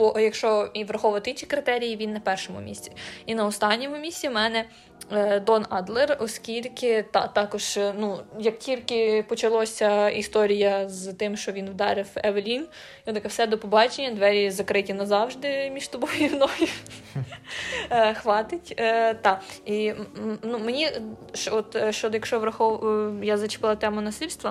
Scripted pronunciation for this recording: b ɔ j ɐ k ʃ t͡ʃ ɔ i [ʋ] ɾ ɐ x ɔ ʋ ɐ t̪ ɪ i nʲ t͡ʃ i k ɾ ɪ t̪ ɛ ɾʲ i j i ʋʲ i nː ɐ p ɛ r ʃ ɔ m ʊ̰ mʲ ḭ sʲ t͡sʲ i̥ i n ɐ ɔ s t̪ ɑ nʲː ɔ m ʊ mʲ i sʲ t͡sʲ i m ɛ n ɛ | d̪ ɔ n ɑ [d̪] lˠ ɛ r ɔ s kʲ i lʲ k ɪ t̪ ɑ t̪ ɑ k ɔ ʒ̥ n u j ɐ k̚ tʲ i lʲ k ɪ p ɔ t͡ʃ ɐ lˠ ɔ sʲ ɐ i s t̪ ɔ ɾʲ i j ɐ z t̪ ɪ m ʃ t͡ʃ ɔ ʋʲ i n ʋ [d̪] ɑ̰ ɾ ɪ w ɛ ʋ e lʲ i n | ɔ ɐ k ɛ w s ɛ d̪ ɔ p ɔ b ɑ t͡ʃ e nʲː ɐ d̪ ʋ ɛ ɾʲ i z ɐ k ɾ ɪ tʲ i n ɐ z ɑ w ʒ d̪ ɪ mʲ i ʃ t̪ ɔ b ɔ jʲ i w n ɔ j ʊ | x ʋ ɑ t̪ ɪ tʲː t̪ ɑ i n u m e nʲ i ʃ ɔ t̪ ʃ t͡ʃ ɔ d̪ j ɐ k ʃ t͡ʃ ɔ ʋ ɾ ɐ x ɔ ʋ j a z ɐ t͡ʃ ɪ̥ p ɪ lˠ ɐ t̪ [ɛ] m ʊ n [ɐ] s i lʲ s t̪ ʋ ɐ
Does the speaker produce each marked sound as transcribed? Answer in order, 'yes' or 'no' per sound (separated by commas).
yes, yes, yes, yes, yes